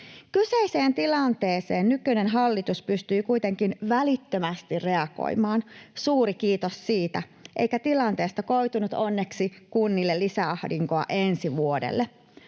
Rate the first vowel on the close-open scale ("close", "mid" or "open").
close